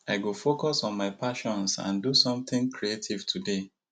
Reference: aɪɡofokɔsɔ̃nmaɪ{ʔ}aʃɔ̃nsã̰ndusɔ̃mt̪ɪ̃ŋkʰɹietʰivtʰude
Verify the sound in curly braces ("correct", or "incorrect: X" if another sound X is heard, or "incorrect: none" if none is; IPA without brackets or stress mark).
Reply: incorrect: p